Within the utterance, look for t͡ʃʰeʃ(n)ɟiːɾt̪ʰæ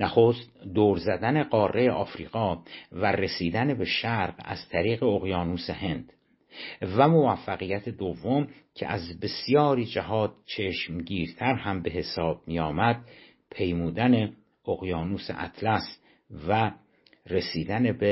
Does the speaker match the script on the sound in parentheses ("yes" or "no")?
no